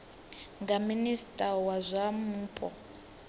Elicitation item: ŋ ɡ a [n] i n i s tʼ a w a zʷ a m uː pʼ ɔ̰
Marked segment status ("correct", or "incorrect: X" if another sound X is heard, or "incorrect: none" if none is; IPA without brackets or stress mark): incorrect: m